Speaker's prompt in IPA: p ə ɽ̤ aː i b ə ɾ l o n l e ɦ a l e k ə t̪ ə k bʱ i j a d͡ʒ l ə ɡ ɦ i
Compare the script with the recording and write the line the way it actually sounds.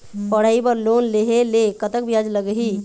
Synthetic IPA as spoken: p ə ɽ̤ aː i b ə ɾ l o n l e ɦ e l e k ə t̪ ə k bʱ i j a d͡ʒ l ə ɡ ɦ i